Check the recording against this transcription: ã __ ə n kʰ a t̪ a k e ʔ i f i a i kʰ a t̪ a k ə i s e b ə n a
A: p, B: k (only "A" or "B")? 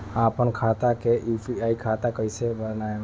A